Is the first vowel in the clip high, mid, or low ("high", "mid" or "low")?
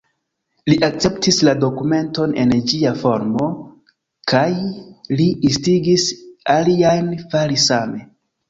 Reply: high